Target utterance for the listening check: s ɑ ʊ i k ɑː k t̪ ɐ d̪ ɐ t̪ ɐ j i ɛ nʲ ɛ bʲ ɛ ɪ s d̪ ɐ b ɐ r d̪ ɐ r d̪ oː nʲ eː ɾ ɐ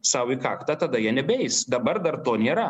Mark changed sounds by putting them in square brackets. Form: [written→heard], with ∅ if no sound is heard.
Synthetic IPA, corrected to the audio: s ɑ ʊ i k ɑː k t̪ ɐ [d̪→t̪] ɐ [t̪→d̪] ɐ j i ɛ nʲ ɛ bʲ ɛ ɪ s d̪ ɐ b ɐ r d̪ ɐ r [d̪→t̪] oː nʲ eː ɾ ɐ